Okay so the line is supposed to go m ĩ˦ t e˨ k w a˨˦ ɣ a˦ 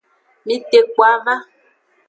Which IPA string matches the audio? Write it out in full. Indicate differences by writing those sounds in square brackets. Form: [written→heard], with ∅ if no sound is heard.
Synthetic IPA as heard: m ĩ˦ t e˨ k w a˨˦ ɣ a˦